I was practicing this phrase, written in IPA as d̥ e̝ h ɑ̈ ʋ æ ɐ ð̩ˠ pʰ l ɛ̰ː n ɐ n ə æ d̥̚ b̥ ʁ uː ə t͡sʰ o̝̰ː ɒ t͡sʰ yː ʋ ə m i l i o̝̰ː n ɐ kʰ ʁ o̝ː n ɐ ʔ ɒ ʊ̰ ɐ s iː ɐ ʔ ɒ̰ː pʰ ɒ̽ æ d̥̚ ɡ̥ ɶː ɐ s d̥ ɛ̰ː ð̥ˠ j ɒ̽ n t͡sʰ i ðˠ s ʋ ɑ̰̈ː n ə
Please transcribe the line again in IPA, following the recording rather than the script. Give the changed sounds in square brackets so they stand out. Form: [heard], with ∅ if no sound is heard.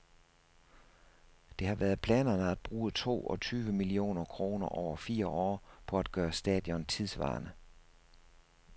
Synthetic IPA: d̥ e̝ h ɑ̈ ʋ æ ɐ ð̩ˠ pʰ l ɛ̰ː n ɐ n ə æ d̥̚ b̥ ʁ uː ə t͡sʰ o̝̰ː ɒ t͡sʰ yː ʋ ə m i l i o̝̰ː n ɐ kʰ ʁ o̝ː n ɐ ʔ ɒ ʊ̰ ɐ [f] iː ɐ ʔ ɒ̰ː pʰ ɒ̽ æ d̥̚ ɡ̥ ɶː ɐ s d̥ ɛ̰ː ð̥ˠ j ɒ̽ n t͡sʰ i ðˠ s ʋ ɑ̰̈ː n ə